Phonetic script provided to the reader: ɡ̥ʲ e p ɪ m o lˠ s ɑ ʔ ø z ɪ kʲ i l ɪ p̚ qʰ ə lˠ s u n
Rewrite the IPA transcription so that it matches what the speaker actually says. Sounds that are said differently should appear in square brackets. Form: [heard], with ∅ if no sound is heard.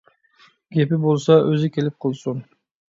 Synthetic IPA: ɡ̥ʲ e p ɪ [b] o lˠ s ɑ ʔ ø z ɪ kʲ [e] l ɪ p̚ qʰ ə lˠ s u n